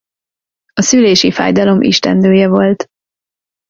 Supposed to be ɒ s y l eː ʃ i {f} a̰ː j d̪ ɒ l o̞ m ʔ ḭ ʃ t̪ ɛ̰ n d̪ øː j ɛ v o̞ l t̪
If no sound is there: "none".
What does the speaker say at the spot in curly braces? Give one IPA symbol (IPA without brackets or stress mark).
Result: f